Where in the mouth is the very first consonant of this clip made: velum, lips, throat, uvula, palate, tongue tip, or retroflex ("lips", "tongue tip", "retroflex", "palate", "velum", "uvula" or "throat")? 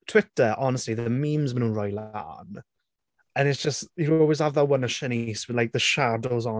tongue tip